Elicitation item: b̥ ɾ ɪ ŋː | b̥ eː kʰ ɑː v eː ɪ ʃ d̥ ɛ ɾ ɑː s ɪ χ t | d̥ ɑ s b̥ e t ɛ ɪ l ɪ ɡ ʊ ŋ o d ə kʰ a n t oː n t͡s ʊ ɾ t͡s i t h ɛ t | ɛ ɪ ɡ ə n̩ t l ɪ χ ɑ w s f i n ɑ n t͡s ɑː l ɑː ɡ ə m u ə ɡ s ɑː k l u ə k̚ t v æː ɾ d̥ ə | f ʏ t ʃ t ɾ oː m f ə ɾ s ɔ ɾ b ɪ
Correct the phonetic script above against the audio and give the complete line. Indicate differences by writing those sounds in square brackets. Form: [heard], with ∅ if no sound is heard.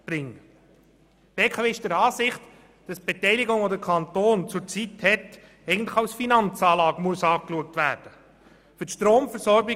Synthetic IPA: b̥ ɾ ɪ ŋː | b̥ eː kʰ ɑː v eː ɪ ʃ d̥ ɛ ɾ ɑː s ɪ χ t | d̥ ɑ s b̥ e t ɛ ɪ l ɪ ɡ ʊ ŋ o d ə kʰ [ɑ] n t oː n t͡s ʊ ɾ t͡s i t h ɛ t | ɛ ɪ ɡ ə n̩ t l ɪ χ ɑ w s f i n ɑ n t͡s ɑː l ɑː ɡ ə m u ə [∅] s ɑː k l u ə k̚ t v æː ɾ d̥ ə | f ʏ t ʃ t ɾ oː m f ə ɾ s ɔ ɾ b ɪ